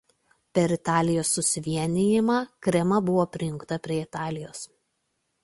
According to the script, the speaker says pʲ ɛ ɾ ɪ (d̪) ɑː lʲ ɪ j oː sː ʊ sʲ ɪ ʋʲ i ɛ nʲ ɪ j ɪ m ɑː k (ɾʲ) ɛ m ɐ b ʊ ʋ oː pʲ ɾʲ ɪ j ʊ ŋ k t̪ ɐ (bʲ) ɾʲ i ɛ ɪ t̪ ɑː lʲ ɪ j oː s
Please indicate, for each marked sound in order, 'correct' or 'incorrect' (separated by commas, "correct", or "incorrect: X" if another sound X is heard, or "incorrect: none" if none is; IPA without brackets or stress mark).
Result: incorrect: t̪, correct, incorrect: pʲ